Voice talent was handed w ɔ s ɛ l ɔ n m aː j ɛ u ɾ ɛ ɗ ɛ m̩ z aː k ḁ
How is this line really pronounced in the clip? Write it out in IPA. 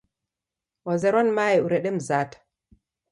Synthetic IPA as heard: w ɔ z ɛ ɾ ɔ n m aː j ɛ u ɾ ɛ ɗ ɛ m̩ z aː t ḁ